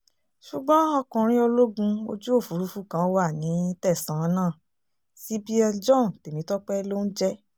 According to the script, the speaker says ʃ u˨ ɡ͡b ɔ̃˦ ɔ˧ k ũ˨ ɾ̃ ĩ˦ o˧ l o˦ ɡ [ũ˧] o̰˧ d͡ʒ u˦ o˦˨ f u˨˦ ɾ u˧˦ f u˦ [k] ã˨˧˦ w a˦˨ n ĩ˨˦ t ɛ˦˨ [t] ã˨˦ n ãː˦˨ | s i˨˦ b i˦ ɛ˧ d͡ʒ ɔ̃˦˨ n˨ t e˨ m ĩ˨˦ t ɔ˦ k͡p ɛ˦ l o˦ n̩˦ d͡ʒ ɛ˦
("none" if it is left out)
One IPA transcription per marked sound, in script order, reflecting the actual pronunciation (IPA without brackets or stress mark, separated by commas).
ũ˧, k, s